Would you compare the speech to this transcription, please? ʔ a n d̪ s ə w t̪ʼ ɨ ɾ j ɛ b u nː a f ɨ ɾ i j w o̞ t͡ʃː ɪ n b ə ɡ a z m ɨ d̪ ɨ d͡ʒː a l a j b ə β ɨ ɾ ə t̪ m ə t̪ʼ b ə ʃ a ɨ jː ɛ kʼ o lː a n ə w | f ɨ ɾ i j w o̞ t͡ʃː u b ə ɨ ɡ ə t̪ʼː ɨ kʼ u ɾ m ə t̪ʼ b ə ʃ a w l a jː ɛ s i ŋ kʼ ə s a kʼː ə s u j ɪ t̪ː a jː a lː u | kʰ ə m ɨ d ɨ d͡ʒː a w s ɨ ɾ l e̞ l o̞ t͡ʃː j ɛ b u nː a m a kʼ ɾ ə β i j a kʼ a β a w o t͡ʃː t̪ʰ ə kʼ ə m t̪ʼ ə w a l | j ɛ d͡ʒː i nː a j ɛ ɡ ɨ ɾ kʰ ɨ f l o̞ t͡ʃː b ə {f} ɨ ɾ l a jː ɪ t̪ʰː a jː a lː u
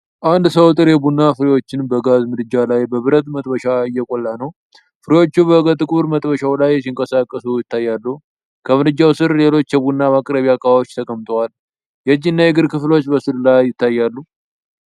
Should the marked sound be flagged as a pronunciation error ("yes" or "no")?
yes